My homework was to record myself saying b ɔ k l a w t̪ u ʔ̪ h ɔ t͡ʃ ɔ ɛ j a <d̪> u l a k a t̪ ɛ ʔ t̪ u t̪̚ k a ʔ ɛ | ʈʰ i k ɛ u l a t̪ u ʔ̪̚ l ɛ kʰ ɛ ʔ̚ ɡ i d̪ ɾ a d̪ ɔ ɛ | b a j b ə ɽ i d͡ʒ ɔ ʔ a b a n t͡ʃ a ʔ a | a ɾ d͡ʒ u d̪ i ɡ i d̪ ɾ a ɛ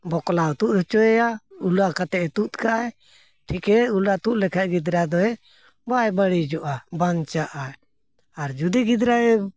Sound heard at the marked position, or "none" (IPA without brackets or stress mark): none